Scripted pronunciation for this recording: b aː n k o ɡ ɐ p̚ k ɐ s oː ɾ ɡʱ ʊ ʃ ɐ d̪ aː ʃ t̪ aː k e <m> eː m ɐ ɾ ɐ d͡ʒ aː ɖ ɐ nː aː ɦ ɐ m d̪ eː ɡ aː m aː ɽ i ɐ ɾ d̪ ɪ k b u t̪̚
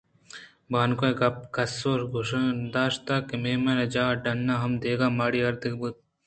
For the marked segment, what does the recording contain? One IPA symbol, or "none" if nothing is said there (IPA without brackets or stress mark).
m